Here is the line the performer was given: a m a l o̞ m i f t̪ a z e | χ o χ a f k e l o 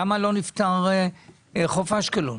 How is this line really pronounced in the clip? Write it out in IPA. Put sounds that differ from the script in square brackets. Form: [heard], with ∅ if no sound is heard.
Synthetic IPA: a m a l o̞ [n] i f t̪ a [ʁ] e | χ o [f] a [ʃ] k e l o